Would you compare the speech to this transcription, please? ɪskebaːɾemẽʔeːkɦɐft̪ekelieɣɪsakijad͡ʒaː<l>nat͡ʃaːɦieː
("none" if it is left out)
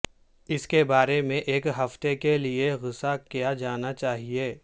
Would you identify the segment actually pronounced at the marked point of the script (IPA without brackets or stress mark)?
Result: none